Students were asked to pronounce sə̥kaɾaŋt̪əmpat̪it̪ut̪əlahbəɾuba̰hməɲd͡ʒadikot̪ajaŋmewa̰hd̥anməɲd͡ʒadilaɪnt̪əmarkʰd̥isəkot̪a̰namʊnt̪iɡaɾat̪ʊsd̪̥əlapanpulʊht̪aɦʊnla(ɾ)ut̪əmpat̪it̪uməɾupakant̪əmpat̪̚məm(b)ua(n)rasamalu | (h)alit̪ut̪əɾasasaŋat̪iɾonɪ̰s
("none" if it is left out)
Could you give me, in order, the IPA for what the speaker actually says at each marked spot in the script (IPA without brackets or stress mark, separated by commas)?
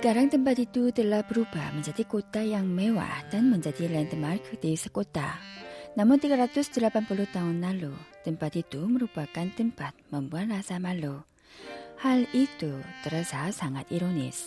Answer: l, b, n, h